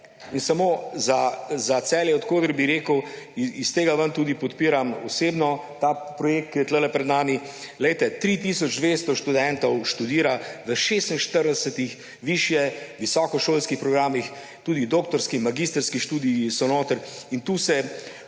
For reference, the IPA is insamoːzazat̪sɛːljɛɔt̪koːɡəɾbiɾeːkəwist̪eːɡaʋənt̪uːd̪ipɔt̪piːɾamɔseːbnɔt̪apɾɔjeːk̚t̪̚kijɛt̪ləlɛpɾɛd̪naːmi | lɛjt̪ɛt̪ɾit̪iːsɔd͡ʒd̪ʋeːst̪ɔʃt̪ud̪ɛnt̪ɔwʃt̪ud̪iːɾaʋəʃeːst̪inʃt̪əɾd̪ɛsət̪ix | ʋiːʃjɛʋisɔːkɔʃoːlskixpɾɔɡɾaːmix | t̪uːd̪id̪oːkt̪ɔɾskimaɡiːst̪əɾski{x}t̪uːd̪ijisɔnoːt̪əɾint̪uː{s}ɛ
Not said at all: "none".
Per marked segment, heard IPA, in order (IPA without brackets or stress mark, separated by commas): ʃ, s